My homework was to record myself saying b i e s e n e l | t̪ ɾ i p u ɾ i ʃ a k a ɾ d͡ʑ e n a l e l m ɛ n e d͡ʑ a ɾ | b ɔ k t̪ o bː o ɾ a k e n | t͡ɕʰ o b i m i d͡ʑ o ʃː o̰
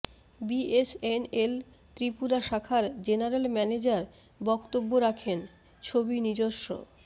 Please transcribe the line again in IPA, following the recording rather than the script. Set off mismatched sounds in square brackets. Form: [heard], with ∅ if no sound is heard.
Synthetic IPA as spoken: b i e s e n e l | t̪ ɾ i p u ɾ [a] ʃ a [kʰ] a ɾ d͡ʑ e n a [ɾ] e l m ɛ n e d͡ʑ a ɾ | b ɔ k t̪ o bː o ɾ a [kʰ] e n | t͡ɕʰ o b i [n] i d͡ʑ o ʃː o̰